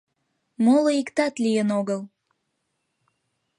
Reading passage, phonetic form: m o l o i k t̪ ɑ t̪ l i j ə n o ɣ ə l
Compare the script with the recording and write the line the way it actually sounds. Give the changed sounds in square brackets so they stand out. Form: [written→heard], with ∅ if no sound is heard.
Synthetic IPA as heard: m o l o i k t̪ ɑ t̪ l i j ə n o ɣ ə l